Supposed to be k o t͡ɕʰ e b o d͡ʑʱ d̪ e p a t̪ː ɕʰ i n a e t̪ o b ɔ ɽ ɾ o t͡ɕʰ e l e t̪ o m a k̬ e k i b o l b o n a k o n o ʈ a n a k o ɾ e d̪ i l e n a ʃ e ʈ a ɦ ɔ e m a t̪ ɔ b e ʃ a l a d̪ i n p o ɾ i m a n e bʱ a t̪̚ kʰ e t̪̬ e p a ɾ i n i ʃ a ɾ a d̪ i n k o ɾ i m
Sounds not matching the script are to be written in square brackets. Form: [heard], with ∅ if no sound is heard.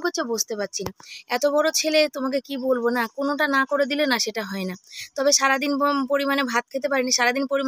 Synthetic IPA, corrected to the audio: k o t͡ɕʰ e b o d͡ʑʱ [t̪] e p a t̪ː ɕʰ i n a [ɛ] t̪ o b ɔ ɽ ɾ o t͡ɕʰ e l e t̪ o m a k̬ e k i b o l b o n a k o n o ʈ a n a k o ɾ e d̪ i l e n a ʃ e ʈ a ɦ ɔ e [n] a t̪ ɔ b e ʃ a [ɾ] a d̪ i n p o ɾ i m a n e bʱ a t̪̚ kʰ e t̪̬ e p a ɾ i n i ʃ a ɾ a d̪ i n [p] o ɾ i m